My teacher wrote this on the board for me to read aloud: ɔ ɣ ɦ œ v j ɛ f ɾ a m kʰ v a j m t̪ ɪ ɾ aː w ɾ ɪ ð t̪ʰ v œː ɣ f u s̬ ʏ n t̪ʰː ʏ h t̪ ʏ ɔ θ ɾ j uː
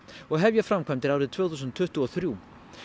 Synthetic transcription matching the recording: ɔ ɣ ɦ ɛ v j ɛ f ɾ a m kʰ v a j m t̪ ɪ ɾ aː w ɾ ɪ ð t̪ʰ v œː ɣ θ u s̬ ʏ n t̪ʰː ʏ h t̪ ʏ ɔ θ ɾ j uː